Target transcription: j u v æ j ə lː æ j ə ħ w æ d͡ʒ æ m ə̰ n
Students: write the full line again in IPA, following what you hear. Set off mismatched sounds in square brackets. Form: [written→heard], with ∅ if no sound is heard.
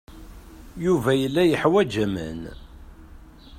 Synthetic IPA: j u v æ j ə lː æ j ə ħ w æ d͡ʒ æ m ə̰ n